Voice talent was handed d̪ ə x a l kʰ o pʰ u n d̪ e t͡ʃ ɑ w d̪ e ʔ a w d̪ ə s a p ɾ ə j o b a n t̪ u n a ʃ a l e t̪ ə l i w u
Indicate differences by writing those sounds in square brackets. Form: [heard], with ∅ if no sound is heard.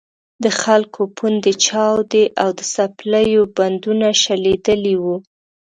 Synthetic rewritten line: d̪ ə x a l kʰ o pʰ u n d̪ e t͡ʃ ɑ w d̪ e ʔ a w d̪ ə s a p [l] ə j o b a n [d̪] u n a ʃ a l e [d̪] ə l i w u